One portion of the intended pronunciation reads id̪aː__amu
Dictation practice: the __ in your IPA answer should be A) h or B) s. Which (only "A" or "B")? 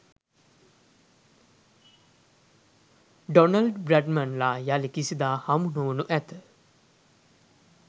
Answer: A